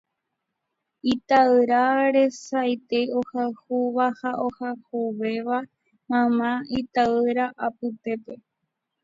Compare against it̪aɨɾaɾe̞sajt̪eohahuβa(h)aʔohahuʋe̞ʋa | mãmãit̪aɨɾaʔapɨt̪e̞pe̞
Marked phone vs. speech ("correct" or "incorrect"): correct